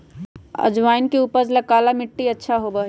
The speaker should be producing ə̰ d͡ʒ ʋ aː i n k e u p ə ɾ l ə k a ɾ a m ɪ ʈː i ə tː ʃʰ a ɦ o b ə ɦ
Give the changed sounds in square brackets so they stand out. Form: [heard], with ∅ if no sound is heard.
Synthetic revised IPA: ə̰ d͡ʒ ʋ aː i n k e u p ə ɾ l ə k a [l] a m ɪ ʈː i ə tː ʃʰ a ɦ o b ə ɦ